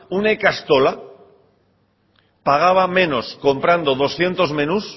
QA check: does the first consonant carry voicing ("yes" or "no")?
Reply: yes